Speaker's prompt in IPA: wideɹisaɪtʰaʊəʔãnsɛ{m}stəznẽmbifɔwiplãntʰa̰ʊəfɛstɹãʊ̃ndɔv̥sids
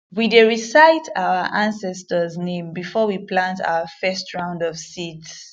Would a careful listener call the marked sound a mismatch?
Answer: yes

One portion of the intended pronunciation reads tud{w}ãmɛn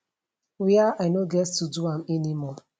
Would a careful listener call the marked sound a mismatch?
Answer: yes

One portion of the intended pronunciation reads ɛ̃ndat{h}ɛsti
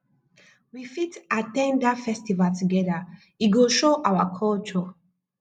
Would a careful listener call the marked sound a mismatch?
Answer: yes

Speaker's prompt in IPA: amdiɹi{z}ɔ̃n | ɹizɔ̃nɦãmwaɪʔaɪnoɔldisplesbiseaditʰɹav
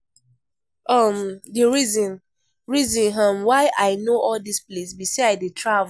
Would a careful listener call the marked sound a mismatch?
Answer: no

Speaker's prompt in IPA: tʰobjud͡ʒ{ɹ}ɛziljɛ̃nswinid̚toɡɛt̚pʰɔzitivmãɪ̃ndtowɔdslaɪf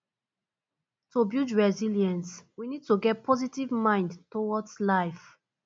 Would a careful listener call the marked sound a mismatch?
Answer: no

